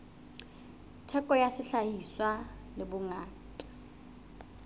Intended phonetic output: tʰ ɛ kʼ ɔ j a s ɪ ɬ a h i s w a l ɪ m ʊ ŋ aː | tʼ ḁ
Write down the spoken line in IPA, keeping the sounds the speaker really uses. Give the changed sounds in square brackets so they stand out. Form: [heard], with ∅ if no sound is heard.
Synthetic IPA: tʰ ɛ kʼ ɔ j a s ɪ ɬ a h i s w a l ɪ [b] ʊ ŋ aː | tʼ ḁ